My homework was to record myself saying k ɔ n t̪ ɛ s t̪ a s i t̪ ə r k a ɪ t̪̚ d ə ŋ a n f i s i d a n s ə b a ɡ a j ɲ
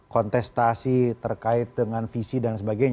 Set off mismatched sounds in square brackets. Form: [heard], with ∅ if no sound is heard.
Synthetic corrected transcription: k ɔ n t̪ ɛ s t̪ a s i t̪ ə r k a ɪ t̪̚ d ə ŋ a n f i s i d a n s ə b a ɡ a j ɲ